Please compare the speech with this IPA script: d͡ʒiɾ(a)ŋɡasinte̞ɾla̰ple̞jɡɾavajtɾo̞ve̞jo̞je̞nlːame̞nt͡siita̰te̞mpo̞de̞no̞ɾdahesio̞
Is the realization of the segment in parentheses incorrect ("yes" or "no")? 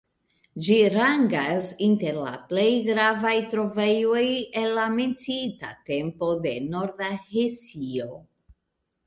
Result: no